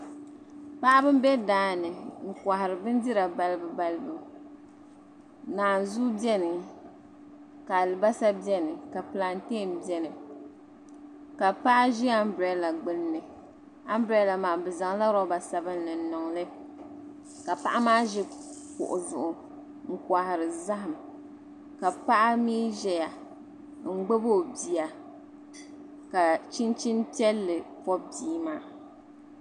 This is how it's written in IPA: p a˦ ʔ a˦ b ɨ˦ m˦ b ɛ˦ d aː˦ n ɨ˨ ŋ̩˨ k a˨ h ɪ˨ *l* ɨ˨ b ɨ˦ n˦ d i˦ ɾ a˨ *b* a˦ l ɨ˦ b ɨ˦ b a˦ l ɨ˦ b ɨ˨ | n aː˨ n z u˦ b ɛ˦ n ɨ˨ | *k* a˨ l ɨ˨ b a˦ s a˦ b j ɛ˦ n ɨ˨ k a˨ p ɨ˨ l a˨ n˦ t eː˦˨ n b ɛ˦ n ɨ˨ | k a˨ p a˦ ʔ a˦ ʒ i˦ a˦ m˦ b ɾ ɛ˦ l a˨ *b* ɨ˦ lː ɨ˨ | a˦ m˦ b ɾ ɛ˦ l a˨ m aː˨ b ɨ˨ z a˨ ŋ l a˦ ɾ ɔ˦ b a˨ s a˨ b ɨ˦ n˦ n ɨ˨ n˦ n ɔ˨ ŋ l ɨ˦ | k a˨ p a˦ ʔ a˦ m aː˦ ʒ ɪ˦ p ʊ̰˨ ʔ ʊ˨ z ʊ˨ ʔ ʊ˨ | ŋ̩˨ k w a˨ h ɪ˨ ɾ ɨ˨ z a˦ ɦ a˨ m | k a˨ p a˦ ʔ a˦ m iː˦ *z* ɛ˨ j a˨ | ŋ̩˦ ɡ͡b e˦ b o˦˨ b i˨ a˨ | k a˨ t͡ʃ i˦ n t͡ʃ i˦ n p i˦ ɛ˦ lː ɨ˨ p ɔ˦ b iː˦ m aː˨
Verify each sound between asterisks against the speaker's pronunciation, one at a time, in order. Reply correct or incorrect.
incorrect, correct, correct, incorrect, incorrect

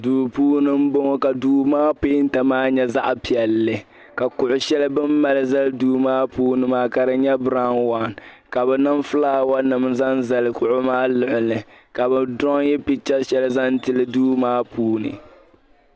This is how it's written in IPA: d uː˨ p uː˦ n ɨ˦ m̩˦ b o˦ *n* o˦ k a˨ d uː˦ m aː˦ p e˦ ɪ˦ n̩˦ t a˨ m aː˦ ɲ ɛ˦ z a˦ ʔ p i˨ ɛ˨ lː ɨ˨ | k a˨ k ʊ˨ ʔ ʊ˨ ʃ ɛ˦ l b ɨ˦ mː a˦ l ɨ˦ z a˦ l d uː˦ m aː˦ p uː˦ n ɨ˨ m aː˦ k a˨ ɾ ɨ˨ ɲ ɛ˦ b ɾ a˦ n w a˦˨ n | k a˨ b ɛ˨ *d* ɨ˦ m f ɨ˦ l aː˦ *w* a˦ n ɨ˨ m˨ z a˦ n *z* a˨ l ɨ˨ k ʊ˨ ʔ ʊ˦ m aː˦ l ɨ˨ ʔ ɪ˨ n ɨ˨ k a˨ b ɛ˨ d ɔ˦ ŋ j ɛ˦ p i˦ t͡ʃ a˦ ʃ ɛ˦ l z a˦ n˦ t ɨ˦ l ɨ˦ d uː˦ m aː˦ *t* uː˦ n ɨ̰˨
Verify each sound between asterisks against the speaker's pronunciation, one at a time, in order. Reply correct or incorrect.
incorrect, incorrect, correct, correct, incorrect

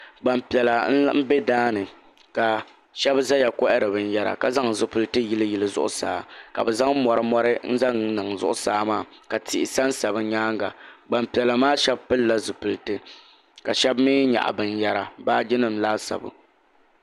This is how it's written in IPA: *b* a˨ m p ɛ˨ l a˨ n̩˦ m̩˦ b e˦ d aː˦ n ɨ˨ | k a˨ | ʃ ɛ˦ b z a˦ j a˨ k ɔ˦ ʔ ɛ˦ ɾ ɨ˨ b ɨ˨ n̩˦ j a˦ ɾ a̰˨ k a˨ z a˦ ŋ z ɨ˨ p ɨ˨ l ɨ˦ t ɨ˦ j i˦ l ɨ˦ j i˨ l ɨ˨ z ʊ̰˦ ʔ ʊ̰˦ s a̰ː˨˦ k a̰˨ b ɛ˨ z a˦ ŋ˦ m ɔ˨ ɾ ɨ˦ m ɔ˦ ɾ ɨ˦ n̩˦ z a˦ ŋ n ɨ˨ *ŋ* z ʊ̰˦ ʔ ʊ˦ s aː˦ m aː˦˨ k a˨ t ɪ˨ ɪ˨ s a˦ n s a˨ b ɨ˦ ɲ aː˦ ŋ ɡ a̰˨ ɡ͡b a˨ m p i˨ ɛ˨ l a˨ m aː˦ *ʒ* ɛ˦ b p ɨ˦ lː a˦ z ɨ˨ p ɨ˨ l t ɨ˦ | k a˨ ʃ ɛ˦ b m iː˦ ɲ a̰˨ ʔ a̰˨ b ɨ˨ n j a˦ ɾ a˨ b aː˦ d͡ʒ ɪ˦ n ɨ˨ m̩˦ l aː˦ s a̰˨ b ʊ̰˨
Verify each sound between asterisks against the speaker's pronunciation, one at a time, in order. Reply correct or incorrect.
incorrect, correct, incorrect

